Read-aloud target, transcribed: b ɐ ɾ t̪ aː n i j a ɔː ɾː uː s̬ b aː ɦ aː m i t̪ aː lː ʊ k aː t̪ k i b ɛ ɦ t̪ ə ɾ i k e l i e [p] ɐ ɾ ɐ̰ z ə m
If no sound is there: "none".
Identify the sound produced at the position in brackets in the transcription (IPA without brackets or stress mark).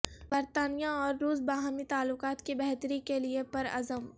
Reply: p